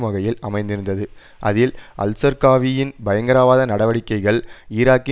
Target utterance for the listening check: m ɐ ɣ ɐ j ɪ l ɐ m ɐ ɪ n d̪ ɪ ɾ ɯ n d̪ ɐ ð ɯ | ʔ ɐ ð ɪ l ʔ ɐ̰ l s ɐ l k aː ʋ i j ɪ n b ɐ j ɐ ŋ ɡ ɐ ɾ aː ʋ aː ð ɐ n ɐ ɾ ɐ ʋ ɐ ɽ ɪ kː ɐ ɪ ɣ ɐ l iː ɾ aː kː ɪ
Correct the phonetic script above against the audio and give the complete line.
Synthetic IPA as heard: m ɐ ɣ ɐ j ɪ l ɐ m ɐ ɪ n d̪ ɪ ɾ ɯ n d̪ ɐ ð ɯ | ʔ ɐ ð ɪ l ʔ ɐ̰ l s ɐ ɾ k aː ʋ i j ɪ n b ɐ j ɐ ŋ ɡ ɐ ɾ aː ʋ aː ð ɐ n ɐ ɽ ɐ ʋ ɐ ɽ ɪ kː ɐ ɪ ɣ ɐ ɭ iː ɾ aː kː ɪ

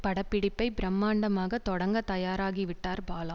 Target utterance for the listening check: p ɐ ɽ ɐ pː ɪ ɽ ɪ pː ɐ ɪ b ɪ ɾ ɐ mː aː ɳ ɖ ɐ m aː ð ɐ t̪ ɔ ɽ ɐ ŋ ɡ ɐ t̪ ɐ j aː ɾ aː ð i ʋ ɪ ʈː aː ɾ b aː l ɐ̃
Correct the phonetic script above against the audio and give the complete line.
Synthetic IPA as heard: p ɐ ɽ ɐ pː ɪ ɽ ɪ pː ɐ ɪ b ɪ ɾ ɐ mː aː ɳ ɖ ɐ m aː ɣ ɐ t̪ ɔ ɽ ɐ ŋ ɡ ɐ t̪ ɐ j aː ɾ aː ɣ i ʋ ɪ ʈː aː ɾ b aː l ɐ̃

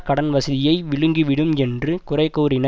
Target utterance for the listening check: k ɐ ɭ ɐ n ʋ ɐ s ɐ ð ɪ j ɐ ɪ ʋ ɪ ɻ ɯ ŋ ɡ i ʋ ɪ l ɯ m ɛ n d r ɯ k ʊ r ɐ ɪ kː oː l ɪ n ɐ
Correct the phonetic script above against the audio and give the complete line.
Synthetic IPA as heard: k ɐ ɽ ɐ n ʋ ɐ s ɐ ð ɪ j ɐ ɪ ʋ ɪ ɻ ɯ ŋ ɡ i ʋ ɪ ɽ ɯ m ɛ n d r ɯ k ʊ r ɐ ɪ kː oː ɾ ɪ n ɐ

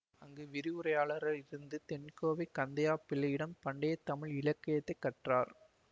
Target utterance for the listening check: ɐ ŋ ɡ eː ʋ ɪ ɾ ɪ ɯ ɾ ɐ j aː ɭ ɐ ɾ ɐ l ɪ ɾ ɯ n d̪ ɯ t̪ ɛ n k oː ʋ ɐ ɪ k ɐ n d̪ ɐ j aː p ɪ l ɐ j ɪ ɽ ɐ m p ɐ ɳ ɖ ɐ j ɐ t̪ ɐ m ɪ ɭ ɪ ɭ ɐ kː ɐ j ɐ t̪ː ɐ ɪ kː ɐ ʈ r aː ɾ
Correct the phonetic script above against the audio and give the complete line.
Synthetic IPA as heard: ɐ ŋ ɡ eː ʋ ɪ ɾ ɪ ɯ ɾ ɐ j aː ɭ ɐ ɾ ɐ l ɪ ɾ ɯ n d̪ ɯ t̪ ɛ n k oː ʋ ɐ ɪ k ɐ n d̪ ɐ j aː p ɪ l ɐ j ɪ ɽ ɐ m p ɐ ɳ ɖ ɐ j ɐ t̪ ɐ m ɪ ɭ ɪ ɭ ɐ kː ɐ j ɐ t̪ː ɐ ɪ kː ɐ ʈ r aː ɾ

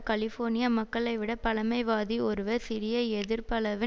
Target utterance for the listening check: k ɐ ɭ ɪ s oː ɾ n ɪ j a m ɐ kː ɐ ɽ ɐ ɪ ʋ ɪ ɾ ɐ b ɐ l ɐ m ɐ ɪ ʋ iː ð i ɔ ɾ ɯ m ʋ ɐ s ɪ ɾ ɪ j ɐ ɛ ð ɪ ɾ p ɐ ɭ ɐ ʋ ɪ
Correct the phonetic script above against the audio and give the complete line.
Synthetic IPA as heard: k ɐ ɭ ɪ f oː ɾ n ɪ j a m ɐ kː ɐ ɭ ɐ ɪ ʋ ɪ ɽ ɐ p ɐ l ɐ m ɐ ɪ ʋ aː ð i ɔ ɾ ɯ ʋ ɐ s ɪ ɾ ɪ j ɐ ɛ ð ɪ ɾ p ɐ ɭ ɐ ʋ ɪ

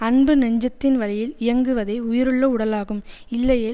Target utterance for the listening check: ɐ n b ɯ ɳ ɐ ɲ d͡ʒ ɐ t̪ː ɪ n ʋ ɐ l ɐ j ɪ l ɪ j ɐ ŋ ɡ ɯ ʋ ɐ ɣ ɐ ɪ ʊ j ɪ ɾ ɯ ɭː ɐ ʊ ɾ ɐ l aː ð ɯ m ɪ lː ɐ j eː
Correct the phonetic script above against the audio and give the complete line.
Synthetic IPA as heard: ɐ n b ɯ n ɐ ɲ d͡ʒ ɐ t̪ː ɪ n ʋ ɐ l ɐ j ɪ l ɪ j ɐ ŋ ɡ ɯ ʋ ɐ ð ɐ ɪ ʊ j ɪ ɾ ɯ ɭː ɐ ʊ ɽ ɐ l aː ɣ ɯ m ɪ lː ɐ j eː

